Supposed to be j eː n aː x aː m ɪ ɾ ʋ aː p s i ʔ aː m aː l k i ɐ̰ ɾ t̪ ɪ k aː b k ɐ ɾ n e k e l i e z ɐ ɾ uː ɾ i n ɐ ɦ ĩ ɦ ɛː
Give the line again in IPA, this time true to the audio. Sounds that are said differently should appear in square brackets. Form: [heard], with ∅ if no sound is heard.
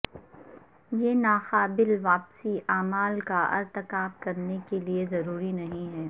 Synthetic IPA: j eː n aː x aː [b] ɪ [l] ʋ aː p s i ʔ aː m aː l k [a] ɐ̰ ɾ t̪ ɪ k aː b k ɐ ɾ n e k e l i e z ɐ ɾ uː ɾ i n ɐ ɦ ĩ ɦ ɛː